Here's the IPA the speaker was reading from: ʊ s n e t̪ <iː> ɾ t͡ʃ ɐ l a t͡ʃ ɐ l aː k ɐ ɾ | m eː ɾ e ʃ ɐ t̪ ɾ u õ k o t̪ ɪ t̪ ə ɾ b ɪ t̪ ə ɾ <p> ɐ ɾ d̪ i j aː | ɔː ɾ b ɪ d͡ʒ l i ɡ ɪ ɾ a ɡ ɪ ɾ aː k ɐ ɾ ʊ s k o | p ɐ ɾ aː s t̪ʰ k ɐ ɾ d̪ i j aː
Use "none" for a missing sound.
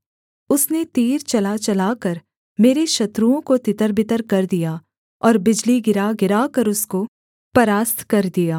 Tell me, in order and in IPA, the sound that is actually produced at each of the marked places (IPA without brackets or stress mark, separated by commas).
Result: iː, k